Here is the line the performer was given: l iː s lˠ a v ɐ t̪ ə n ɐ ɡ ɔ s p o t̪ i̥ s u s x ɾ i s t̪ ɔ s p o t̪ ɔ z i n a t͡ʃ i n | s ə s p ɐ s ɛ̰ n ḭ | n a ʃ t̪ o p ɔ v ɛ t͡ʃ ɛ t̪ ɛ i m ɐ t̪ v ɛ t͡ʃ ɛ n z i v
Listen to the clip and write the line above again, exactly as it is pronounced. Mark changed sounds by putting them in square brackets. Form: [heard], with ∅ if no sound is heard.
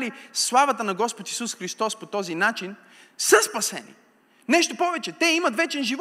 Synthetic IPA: l [i] s lˠ a v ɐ t̪ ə n ɐ ɡ ɔ s p o t̪ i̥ s u s x ɾ i s t̪ ɔ s p o t̪ ɔ z i n a t͡ʃ i n | s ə s p ɐ s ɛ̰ n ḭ | n [ɛ] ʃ t̪ o p ɔ v ɛ t͡ʃ ɛ t̪ ɛ i m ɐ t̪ v ɛ t͡ʃ ɛ n [ʒ] i v